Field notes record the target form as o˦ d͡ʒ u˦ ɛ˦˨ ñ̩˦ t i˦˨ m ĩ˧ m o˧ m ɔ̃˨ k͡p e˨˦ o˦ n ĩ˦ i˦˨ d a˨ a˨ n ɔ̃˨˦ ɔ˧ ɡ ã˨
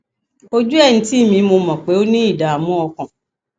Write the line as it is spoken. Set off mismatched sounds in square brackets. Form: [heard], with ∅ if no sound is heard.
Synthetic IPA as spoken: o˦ d͡ʒ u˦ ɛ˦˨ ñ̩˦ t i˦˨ m ĩ˧ m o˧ m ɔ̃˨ k͡p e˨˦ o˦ n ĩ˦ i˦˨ d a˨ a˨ [m] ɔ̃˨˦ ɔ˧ [k] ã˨

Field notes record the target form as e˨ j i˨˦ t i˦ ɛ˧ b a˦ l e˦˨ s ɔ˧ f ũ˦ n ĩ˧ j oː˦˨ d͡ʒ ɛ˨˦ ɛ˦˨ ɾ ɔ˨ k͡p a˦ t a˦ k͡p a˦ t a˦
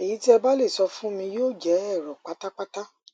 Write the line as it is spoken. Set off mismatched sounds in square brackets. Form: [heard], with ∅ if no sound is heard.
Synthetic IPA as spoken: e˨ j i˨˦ t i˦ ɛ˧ b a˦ l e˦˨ s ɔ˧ f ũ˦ [m] ĩ˧ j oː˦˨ d͡ʒ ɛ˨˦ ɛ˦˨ ɾ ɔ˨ k͡p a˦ t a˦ k͡p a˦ t a˦

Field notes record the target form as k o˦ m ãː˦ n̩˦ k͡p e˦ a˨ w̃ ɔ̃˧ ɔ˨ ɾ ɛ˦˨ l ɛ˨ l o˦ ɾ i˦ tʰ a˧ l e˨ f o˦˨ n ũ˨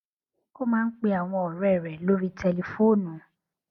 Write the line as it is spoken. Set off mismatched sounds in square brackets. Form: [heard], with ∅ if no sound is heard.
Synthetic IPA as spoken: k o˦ m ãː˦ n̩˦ k͡p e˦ a˨ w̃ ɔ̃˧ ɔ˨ ɾ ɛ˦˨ [ɾ] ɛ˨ l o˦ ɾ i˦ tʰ [ɛ˧] l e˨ f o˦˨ n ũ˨

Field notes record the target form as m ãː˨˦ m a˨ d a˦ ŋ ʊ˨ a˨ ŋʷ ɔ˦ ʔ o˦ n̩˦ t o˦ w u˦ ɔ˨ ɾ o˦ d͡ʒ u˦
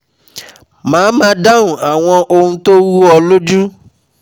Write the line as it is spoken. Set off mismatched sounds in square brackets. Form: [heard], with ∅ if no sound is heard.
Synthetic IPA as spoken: m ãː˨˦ m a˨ d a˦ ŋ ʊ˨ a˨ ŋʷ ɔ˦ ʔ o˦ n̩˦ t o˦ w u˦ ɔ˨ [l] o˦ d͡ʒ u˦

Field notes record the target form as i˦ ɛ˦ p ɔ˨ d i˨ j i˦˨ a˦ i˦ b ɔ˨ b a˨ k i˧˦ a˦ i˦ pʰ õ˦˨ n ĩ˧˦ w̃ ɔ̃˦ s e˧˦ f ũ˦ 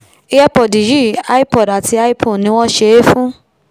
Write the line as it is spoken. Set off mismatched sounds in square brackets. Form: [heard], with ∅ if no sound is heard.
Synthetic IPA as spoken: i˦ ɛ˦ p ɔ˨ d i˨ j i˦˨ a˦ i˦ [p] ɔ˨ [d] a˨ [t] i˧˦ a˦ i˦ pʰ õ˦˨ n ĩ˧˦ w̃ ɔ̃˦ [ʃ] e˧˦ f ũ˦

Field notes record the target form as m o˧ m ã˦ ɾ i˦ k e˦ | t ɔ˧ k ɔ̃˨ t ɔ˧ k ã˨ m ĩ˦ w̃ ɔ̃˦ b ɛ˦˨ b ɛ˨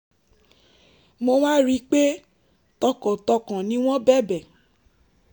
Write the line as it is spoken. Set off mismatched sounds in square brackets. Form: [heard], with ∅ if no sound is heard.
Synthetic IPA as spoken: m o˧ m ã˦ ɾ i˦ [k͡p] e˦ | t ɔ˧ k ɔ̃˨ t ɔ˧ k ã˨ [n] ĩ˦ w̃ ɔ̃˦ b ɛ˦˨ b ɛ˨

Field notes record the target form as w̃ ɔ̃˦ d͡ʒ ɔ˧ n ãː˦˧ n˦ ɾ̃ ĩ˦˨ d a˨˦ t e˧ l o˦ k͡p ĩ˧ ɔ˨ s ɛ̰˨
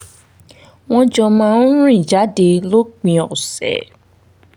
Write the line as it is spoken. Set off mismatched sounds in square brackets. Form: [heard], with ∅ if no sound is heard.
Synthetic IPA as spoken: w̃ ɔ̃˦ d͡ʒ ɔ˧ [m] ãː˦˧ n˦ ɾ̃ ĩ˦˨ [d͡ʒ] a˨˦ [d] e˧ l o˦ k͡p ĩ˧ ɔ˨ s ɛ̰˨

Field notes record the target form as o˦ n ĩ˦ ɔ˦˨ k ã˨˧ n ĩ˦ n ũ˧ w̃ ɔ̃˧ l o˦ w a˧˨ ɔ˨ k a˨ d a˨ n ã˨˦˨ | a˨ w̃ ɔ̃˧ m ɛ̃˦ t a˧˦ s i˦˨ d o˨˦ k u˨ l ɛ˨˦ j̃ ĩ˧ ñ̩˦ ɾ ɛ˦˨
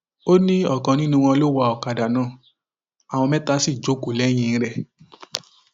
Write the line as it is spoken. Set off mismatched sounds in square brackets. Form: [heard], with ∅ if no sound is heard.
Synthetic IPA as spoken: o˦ n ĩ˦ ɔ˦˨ k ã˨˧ n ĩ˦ n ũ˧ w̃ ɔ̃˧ l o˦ w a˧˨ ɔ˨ k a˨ d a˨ n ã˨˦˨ | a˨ w̃ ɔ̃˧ m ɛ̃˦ t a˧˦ s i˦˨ [d͡ʒ] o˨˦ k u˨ l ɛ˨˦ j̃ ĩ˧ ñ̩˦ ɾ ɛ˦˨

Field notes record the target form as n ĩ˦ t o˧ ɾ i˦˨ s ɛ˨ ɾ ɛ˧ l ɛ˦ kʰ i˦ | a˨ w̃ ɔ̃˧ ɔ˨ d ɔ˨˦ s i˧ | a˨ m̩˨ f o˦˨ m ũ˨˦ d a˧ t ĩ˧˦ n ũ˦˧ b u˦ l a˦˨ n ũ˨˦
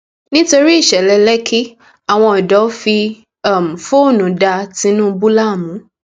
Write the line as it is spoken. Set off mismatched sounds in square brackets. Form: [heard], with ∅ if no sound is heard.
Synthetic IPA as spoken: n ĩ˦ t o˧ ɾ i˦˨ [ʃ] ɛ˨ [l] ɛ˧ l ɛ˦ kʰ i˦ | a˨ w̃ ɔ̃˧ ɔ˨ d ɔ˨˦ [f] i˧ | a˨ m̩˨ f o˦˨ [n] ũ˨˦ d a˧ t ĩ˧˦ n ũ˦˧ b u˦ l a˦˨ [m] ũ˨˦

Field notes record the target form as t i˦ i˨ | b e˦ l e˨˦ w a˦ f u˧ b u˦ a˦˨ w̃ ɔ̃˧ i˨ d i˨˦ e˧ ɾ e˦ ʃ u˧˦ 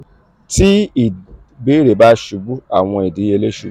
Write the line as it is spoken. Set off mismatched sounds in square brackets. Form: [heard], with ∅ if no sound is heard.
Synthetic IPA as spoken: t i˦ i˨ | b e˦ [ɾ] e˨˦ [b] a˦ [ʃ] u˧ b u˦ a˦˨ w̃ ɔ̃˧ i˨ d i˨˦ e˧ [l] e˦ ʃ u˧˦

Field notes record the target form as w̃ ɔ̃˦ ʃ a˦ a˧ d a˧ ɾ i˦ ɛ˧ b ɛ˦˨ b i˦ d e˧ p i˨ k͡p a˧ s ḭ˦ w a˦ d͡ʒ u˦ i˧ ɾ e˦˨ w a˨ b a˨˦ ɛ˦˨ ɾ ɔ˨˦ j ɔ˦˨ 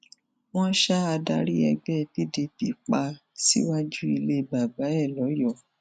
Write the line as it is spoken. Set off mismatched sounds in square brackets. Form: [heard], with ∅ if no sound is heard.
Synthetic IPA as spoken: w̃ ɔ̃˦ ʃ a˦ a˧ d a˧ ɾ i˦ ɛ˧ [ɡ͡b] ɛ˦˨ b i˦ d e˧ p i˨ k͡p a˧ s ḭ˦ w a˦ d͡ʒ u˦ i˧ [l] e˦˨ [b] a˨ b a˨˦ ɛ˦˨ [l] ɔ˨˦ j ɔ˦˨

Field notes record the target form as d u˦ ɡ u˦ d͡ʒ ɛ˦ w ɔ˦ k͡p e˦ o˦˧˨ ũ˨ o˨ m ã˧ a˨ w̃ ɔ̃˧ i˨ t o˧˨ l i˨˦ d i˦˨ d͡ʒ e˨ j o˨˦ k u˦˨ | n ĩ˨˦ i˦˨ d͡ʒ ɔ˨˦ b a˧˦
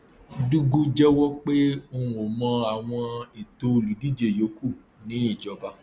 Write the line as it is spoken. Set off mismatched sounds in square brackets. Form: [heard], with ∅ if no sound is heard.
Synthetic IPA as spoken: d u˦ ɡ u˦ d͡ʒ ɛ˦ w ɔ˦ k͡p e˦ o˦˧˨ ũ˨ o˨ m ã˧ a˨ w̃ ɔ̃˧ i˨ t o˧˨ l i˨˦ d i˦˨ d͡ʒ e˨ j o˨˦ k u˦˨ | n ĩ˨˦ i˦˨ d͡ʒ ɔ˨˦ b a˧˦

